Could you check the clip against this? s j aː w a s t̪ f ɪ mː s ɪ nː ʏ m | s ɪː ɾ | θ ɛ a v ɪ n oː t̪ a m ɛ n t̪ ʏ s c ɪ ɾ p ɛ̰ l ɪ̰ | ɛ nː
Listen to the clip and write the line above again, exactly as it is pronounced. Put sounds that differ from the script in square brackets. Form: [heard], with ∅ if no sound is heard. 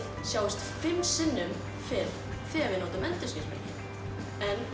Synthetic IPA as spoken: s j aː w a s t̪ f ɪ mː s ɪ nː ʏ m | [f] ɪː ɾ | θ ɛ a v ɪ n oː t̪ a m ɛ n t̪ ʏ s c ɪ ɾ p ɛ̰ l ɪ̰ | ɛ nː